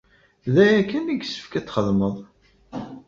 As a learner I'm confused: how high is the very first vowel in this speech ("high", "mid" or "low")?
low